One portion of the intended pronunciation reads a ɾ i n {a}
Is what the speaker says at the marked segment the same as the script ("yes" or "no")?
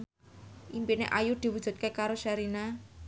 yes